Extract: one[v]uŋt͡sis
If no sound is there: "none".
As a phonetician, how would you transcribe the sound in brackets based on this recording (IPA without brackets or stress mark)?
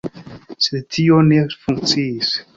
f